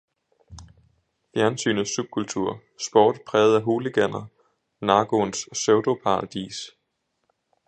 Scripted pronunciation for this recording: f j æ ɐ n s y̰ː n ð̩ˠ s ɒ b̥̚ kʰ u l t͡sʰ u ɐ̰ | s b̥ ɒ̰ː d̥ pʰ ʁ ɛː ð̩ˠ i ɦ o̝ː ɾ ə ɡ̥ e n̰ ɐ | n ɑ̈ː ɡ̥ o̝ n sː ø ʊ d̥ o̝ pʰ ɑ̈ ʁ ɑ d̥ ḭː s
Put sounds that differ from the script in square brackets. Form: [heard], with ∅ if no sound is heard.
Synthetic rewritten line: f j æ ɐ n s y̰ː n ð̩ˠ s [u] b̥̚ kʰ u l t͡sʰ u ɐ̰ | s b̥ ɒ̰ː d̥ pʰ ʁ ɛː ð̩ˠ [æ] ɦ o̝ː [l] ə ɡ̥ [æ] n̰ ɐ | n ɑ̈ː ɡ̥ o̝ n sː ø ʊ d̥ o̝ pʰ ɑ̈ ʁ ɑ d̥ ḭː s